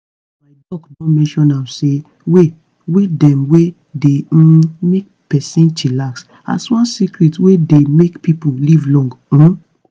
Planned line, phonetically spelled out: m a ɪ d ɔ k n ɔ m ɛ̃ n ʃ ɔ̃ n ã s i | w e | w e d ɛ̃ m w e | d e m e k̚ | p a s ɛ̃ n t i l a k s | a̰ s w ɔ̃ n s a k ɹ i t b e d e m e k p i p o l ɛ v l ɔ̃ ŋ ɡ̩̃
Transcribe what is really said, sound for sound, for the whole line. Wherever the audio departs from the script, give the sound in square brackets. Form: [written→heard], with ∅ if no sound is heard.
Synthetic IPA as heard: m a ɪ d ɔ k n ɔ m ɛ̃ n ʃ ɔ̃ n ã s [i→e] | w e | w e d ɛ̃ m w e | d e m e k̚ | p [a→ɛ] s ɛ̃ n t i l a k s | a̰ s w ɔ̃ n s [a→i] k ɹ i t [b→w] e d e m e k p i p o l [ɛ→i] v l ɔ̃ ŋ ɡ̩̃

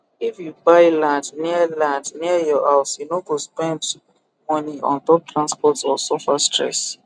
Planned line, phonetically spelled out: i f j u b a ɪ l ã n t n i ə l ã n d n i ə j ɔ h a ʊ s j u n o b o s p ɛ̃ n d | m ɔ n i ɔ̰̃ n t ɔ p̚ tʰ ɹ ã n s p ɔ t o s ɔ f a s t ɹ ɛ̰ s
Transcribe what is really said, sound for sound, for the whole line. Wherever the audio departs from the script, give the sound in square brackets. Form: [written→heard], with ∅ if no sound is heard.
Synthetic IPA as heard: i f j u b a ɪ l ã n [t→d] n i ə l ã n d n i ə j ɔ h a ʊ s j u n o [b→ɡ] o s p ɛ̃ n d | m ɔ n i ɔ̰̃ n t ɔ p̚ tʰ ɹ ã n s p ɔ t [o→ɔ] s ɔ f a s t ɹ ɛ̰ s

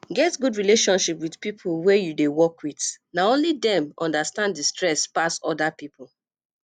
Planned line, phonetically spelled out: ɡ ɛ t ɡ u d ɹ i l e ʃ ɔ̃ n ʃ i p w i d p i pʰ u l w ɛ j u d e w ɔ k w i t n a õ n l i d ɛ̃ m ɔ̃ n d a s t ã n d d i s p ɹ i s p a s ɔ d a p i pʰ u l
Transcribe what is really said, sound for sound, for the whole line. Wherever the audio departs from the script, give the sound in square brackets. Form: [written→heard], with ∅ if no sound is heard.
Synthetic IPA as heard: ɡ ɛ t ɡ u d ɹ i l e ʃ ɔ̃ n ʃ i p w i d p i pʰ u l w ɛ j u d e w ɔ k w i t n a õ n l i d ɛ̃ m ɔ̃ n d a s t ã n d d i s [p→t] ɹ [i→ɛ] s p a s ɔ d a p i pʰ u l

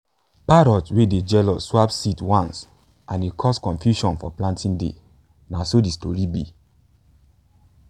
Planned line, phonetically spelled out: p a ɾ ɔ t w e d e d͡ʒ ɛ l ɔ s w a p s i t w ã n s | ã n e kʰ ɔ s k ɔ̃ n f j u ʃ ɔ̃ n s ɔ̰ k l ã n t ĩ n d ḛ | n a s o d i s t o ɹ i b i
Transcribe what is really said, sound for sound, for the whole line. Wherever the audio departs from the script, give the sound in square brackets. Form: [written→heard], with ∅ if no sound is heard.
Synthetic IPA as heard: p a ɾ ɔ t w e d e d͡ʒ ɛ l ɔ s w a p s i t w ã n s | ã n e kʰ ɔ s k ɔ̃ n f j u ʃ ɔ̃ n [s→f] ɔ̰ [k→p] l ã n t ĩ n d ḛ | n a s o d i s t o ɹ i b i

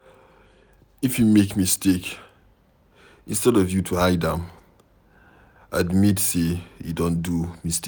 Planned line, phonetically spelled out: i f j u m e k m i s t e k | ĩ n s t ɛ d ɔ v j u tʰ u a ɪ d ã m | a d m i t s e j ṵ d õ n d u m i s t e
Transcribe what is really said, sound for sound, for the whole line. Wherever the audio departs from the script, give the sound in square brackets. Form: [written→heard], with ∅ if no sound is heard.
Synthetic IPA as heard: i f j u m e k m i s t e k | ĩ n s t ɛ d ɔ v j u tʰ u a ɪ d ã m | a d m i t s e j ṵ d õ n d u m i s t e

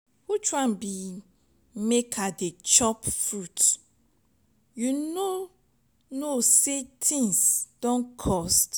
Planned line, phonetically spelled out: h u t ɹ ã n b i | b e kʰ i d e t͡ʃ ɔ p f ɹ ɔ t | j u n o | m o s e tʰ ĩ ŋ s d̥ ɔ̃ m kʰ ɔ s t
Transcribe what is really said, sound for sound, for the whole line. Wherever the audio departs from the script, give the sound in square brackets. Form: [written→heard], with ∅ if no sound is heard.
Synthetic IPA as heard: h u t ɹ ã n b i | [b→m] e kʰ [i→a] d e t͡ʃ ɔ p f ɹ [ɔ→u] t | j u n o | [m→n] o s e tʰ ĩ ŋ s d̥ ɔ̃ [m→n] kʰ ɔ s t

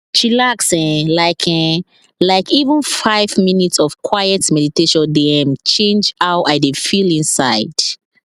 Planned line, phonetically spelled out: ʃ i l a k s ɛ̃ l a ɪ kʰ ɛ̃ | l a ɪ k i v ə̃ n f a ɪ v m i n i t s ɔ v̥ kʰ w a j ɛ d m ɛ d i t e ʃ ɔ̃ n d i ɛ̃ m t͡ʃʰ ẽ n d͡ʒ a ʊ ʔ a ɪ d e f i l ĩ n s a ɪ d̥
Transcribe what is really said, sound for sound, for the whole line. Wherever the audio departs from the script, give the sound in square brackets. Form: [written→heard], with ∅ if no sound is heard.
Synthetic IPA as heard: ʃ i l a k s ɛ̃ l a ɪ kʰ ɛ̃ | l a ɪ k i v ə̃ n f a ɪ v m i n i t s ɔ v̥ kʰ w a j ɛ [d→t] m ɛ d i t e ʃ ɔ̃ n d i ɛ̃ m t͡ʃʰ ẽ n d͡ʒ a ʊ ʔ a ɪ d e f i l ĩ n s a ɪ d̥

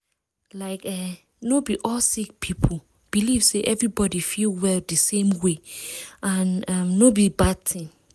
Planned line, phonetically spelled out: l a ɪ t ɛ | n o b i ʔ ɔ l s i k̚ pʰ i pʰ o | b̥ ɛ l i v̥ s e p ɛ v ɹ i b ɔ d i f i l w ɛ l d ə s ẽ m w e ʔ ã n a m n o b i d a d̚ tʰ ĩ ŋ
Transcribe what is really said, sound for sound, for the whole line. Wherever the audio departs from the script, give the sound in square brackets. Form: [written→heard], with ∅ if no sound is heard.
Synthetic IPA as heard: l a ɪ [t→k] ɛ | n o b i ʔ ɔ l s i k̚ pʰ i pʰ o | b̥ [ɛ→i] l i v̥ s e [p→ʔ] ɛ v ɹ i b ɔ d i f i l w ɛ l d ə s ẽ m w e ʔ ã n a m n o b i [d→b] a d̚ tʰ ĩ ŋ

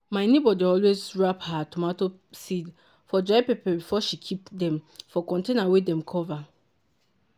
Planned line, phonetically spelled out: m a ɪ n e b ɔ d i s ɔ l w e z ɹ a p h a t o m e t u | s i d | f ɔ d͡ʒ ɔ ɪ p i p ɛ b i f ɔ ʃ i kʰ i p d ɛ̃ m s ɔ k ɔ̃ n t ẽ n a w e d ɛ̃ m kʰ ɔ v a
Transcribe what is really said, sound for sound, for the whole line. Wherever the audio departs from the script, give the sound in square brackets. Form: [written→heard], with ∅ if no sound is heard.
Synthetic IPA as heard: m a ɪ n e b ɔ d i [s→∅] ɔ l w e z ɹ a p h a t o m [e→a] t [u→o] | s i d | f ɔ d͡ʒ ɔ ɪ p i p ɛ b i f ɔ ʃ i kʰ i p d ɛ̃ m [s→f] ɔ k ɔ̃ n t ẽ n a w e d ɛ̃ m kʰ ɔ v a

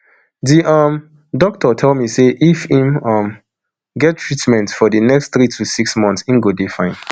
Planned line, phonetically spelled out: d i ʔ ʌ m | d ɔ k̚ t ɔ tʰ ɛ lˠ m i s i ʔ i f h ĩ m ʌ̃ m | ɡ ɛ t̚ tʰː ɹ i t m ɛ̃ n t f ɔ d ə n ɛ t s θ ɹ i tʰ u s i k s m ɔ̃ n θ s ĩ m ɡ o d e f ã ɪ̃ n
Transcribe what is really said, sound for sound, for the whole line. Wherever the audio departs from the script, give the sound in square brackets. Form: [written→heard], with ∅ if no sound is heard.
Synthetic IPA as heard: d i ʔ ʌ m | d ɔ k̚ t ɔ tʰ ɛ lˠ m i s [i→e] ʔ i f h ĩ m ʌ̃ m | ɡ ɛ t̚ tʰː ɹ i t m ɛ̃ n t f ɔ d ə n ɛ [t→k] s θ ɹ i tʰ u s i k s m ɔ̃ n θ s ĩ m ɡ o d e f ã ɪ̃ n

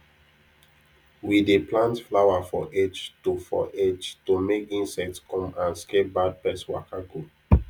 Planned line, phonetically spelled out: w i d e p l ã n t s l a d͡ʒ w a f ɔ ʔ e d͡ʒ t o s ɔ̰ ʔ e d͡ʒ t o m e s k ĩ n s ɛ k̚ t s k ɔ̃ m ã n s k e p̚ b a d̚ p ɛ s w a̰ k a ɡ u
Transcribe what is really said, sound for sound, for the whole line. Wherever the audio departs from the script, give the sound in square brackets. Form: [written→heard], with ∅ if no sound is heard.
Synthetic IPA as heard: w i d e p l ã n t [s→f] l a [d͡ʒ→∅] w a f ɔ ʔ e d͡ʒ t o [s→f] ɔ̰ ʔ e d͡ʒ t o m e [s→∅] k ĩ n s ɛ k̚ t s k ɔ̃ m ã n s k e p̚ b a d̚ p ɛ s w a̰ k a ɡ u

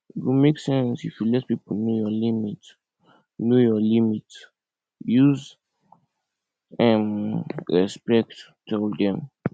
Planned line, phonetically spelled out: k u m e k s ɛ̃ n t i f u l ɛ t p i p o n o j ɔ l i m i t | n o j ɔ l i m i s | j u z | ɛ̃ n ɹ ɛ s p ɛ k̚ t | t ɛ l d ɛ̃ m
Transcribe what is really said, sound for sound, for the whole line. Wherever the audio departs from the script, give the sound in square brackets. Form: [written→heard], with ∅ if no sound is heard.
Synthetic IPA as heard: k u m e k s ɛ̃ n [t→s] i f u l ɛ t p i p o n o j ɔ l i m i t | n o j ɔ l i m i [s→t] | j u z | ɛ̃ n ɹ ɛ s p ɛ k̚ t | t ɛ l d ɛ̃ m

